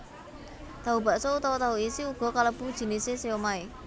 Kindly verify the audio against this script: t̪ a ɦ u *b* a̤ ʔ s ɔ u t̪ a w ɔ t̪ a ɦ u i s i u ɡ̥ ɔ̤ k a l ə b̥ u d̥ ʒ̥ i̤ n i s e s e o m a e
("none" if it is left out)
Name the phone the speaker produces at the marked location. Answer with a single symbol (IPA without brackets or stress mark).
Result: b